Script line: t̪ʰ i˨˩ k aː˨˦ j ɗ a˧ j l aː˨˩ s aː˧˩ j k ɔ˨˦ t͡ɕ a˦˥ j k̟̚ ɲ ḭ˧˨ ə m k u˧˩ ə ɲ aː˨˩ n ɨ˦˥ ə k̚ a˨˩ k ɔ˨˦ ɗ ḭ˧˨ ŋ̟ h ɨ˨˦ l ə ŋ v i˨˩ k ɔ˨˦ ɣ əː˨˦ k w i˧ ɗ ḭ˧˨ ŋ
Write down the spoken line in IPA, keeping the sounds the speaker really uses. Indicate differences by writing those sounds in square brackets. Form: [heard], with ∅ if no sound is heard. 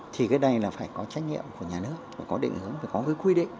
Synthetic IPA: t̪ʰ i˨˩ k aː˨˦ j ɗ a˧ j l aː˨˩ [f] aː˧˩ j k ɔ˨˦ t͡ɕ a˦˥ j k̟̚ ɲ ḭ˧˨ ə m k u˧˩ ə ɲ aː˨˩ n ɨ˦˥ ə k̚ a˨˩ k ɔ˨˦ ɗ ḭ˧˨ ŋ̟ h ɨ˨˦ [∅] ə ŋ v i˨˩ k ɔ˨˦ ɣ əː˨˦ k w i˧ ɗ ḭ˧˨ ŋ